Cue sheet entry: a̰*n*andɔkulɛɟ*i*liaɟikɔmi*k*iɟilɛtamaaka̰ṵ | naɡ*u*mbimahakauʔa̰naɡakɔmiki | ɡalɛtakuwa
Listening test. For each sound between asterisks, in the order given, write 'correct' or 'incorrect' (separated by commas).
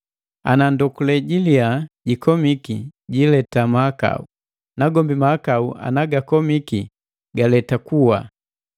correct, correct, correct, incorrect